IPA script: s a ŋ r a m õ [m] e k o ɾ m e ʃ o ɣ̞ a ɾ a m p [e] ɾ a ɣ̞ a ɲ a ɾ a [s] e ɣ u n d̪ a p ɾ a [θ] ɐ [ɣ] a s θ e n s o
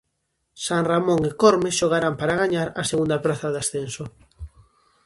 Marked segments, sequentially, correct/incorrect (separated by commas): incorrect, incorrect, correct, correct, incorrect